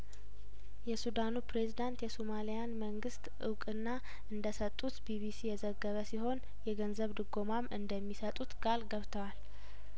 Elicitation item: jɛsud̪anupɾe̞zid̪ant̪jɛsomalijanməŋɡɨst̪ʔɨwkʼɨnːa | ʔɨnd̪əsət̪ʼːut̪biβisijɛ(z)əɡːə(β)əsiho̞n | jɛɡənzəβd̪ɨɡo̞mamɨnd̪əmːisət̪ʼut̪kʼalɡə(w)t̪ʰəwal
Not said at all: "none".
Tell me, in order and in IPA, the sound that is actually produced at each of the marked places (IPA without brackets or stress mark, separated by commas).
z, β, β